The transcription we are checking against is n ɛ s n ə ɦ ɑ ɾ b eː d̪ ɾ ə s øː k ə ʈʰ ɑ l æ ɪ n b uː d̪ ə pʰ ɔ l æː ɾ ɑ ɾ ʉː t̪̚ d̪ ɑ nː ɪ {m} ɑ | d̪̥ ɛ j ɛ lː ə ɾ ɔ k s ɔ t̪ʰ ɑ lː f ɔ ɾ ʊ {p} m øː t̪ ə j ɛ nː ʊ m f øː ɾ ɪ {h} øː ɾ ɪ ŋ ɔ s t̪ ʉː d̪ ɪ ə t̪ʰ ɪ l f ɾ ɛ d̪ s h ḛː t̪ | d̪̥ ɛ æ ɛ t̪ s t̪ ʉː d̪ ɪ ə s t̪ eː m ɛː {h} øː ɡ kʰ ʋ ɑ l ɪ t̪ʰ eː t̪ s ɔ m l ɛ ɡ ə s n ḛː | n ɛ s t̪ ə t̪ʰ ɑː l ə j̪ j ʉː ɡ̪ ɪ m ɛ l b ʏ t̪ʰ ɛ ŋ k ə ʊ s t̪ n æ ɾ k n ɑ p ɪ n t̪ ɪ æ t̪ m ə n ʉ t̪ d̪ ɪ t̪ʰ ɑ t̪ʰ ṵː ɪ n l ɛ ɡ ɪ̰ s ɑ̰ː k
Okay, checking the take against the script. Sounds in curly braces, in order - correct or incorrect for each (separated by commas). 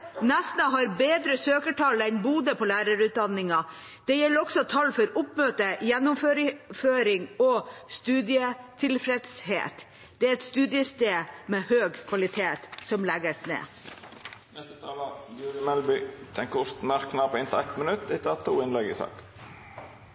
incorrect, correct, incorrect, correct